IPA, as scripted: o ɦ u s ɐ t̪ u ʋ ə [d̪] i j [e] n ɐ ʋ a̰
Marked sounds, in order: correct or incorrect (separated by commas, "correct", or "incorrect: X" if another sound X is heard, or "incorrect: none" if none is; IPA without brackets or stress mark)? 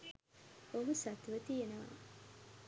incorrect: t̪, correct